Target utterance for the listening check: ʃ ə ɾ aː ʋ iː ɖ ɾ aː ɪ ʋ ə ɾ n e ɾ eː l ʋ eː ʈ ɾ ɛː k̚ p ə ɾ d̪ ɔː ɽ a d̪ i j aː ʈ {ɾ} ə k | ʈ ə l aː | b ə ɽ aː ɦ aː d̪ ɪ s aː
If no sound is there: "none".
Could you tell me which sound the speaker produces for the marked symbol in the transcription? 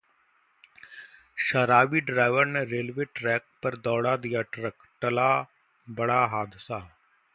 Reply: ɾ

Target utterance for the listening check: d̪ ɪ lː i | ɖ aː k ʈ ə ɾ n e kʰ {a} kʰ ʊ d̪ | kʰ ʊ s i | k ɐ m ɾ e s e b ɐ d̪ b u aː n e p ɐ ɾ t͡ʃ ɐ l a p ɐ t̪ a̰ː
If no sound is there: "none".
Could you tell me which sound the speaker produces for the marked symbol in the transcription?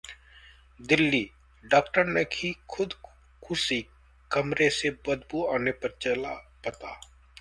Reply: i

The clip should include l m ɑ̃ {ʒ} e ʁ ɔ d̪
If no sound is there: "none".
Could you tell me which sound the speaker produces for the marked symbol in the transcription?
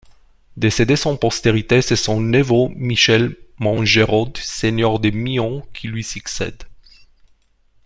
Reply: ʒ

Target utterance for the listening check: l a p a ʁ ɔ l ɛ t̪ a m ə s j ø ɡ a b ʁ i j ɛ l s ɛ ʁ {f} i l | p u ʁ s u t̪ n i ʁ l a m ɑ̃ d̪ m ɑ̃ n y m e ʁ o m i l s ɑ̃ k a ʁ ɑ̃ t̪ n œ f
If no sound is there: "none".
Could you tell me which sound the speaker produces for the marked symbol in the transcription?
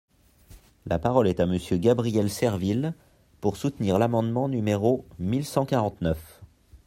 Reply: v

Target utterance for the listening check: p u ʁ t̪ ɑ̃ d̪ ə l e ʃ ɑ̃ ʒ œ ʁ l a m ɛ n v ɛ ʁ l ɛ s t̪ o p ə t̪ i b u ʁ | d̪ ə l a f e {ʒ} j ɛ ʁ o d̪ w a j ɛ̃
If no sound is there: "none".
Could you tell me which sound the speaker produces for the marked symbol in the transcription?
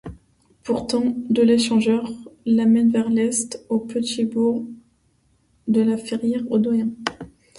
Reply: ʁ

